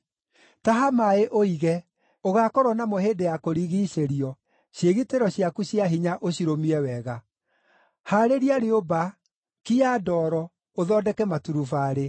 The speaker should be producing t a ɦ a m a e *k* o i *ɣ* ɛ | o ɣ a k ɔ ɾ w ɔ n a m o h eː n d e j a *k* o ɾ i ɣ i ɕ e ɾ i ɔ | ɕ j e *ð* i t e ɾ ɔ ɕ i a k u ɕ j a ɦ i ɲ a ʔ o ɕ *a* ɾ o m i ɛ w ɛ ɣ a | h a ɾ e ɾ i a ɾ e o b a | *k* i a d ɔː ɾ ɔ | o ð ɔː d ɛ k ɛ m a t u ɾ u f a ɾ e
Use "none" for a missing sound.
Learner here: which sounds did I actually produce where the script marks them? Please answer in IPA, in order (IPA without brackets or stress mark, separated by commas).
ʔ, ɣ, k, ɣ, i, k